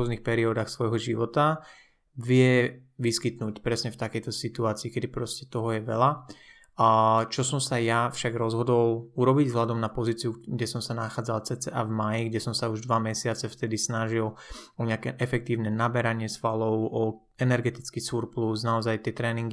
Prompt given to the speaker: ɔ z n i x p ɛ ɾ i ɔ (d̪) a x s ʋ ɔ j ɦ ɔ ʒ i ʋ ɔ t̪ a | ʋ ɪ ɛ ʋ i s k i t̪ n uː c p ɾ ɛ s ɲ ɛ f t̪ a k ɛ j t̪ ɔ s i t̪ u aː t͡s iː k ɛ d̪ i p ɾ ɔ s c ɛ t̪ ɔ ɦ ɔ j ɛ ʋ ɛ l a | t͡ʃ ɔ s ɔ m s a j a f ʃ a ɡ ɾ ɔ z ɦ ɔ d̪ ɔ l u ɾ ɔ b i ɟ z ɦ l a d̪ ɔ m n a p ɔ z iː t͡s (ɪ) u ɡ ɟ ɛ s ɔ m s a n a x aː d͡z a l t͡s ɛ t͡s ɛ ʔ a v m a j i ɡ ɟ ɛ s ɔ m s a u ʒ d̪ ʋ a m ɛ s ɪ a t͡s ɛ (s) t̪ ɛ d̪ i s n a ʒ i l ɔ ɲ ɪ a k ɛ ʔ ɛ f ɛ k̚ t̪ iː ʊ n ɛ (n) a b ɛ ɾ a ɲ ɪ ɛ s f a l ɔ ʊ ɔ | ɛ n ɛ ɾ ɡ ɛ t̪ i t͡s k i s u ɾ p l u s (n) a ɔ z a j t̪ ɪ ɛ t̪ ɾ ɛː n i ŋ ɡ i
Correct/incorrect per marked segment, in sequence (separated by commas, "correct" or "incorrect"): correct, incorrect, incorrect, correct, correct